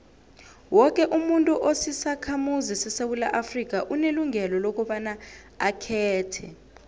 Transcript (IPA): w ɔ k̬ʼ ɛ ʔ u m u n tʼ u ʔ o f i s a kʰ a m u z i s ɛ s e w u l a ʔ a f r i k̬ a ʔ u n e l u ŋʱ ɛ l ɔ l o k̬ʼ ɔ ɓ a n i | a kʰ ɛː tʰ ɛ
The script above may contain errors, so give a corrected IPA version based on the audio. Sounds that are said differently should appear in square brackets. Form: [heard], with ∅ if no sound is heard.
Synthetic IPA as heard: w ɔ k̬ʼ ɛ ʔ u m u n tʼ u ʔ o [s] i s a kʰ a m u z i s ɛ s e w u l a ʔ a f r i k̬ a ʔ u n e l u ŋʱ ɛ l ɔ l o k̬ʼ ɔ ɓ a n [a] | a kʰ ɛː tʰ ɛ